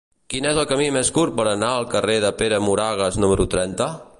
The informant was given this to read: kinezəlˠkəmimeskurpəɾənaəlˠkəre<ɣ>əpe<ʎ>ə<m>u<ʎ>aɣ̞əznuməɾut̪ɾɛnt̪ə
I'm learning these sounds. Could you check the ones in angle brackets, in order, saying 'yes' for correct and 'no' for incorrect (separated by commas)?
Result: no, no, yes, no